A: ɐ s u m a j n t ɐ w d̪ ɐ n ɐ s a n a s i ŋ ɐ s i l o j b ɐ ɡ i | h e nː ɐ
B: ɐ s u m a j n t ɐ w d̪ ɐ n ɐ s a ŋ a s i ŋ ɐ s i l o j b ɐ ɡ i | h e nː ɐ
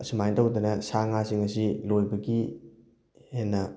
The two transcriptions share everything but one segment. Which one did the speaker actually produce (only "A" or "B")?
B